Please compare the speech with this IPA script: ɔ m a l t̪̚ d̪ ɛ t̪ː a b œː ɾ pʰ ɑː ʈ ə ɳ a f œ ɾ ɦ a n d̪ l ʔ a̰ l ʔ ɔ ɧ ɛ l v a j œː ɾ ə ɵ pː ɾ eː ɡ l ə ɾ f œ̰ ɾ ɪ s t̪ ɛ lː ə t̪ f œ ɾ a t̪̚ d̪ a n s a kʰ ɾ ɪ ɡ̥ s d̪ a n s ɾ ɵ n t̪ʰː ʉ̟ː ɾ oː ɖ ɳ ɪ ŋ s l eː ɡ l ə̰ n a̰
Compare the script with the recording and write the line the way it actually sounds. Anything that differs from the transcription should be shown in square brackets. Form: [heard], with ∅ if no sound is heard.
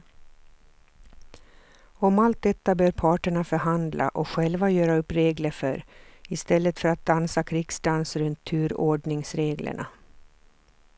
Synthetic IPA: ɔ m a l t̪̚ d̪ ɛ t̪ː a b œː ɾ pʰ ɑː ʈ ə ɳ a f œ ɾ ɦ a n d̪ l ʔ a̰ [∅] ʔ ɔ ɧ ɛ l v a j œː ɾ [a] ɵ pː ɾ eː ɡ l ə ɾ f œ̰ ɾ ɪ s t̪ ɛ lː ə t̪ f œ ɾ a t̪̚ d̪ a n s a kʰ ɾ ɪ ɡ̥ s d̪ a n s ɾ ɵ n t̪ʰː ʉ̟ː ɾ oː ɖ ɳ ɪ ŋ s [ɾ] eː ɡ l ə̰ [ɳ] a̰